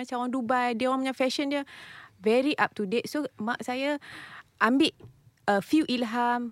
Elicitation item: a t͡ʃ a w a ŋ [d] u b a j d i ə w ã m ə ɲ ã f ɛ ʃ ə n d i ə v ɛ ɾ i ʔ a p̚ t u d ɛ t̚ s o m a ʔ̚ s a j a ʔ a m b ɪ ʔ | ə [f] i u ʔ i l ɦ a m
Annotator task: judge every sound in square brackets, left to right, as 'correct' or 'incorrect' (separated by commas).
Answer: correct, correct